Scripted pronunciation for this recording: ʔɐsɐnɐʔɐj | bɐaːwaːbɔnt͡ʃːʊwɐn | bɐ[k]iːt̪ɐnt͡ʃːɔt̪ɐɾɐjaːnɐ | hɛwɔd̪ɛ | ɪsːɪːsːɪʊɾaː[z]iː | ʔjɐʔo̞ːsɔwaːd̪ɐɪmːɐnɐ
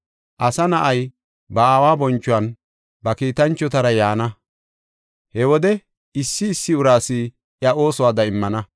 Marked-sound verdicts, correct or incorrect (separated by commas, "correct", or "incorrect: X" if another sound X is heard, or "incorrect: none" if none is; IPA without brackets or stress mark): correct, incorrect: s